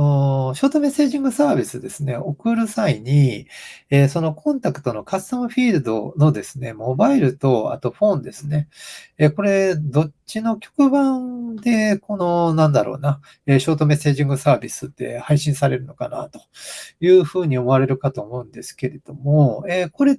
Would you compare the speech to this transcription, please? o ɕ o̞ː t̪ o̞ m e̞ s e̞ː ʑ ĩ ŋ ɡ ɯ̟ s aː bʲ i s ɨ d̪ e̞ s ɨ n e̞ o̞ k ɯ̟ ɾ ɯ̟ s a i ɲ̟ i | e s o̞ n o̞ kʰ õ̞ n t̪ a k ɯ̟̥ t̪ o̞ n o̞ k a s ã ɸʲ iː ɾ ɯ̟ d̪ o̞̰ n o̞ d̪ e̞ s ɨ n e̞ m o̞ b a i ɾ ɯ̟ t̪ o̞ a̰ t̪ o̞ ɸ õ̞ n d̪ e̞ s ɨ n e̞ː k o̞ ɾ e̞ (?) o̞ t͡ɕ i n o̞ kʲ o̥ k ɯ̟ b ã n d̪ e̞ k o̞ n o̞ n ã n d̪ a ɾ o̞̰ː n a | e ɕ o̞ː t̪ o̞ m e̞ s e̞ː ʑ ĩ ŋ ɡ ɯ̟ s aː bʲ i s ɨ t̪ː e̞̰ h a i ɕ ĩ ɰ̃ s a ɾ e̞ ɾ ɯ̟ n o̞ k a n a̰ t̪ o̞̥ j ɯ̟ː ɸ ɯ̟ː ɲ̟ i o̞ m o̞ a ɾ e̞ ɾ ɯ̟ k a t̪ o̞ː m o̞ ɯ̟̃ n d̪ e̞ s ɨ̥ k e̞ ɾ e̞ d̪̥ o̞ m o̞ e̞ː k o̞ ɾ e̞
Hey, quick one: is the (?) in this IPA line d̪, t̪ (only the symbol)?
d̪